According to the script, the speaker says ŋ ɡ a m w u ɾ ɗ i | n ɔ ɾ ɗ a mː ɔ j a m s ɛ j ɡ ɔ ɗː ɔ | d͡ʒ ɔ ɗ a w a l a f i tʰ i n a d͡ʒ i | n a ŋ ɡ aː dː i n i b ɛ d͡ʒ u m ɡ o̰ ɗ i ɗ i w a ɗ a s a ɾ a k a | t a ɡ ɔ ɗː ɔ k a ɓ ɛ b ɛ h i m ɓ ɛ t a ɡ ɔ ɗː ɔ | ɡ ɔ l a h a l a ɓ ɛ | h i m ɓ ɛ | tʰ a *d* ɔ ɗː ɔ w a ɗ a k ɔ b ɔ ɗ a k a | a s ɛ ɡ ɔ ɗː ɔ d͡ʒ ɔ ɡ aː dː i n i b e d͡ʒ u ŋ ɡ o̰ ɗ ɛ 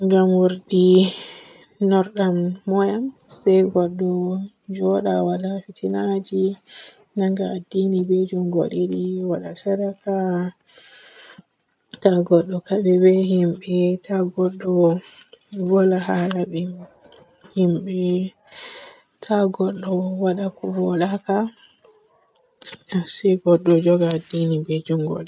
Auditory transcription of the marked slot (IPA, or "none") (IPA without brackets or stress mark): ɡ